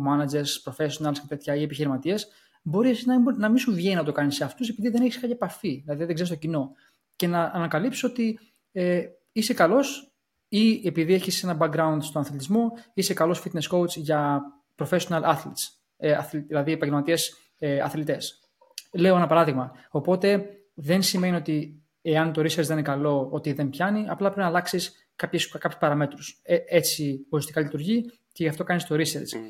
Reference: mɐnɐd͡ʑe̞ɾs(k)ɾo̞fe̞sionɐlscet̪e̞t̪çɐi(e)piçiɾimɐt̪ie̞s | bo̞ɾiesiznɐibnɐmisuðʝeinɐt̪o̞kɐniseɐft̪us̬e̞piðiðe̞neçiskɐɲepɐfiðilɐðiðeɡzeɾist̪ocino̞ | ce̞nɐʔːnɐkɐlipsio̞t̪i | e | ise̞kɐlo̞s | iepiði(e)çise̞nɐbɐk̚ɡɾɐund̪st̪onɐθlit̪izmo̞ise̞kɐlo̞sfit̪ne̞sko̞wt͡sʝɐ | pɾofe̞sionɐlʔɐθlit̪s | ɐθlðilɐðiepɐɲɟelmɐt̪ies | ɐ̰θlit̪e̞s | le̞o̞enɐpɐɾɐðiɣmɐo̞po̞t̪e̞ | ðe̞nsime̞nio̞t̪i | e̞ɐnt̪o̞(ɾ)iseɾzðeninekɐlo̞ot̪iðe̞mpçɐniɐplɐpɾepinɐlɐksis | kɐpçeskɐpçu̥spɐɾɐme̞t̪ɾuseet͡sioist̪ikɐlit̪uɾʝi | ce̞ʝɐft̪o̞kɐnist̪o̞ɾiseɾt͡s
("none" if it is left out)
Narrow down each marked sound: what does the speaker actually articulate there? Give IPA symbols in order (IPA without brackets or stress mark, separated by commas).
p, e, e, ɾ